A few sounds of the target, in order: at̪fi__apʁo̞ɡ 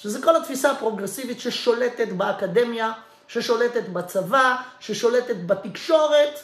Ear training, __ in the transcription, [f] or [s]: s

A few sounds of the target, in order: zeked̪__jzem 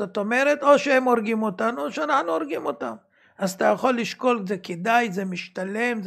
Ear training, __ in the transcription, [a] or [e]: a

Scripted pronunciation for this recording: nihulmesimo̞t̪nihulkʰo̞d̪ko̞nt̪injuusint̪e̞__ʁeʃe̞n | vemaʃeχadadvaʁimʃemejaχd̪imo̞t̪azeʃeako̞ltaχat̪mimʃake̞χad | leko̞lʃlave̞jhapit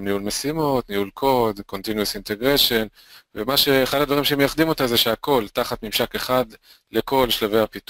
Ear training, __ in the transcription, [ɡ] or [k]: ɡ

